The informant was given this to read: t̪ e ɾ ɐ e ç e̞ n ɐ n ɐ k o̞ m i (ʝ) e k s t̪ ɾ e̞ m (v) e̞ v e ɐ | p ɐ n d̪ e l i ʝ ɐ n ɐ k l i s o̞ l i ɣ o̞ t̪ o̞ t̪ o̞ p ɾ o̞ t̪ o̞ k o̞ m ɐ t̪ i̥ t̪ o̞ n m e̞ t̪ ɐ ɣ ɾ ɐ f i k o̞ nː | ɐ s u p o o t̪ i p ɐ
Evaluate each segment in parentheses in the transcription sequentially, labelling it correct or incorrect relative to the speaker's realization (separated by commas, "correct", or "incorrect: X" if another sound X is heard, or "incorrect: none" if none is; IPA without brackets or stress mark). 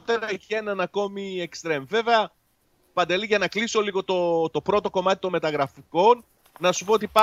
incorrect: none, correct